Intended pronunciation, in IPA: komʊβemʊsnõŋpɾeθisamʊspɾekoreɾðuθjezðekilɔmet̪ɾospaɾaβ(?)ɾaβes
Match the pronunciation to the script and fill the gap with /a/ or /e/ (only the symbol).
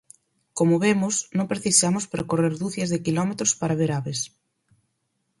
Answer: e